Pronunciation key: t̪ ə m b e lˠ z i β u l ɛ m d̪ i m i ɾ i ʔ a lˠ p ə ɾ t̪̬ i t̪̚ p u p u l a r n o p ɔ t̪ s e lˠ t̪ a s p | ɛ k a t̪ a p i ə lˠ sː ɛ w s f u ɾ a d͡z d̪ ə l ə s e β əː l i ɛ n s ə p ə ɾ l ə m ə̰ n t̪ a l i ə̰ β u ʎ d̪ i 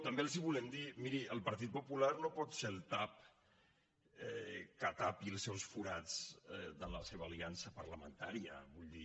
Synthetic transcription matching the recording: t̪ ə m b e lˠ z i β u l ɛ m d̪ i m i ɾ i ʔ ə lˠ p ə ɾ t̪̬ i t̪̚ p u p u l a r n o p ɔ t̪ s e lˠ t̪ a p | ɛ k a t̪ a p i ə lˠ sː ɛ w s f u ɾ a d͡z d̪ ə l ə s e β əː l i a n s ə p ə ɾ l ə m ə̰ n t̪ a ɾ i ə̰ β u ʎ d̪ i